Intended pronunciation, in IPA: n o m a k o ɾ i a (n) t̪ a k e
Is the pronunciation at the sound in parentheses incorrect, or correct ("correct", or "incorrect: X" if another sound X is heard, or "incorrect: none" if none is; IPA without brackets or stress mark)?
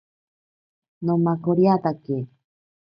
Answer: incorrect: none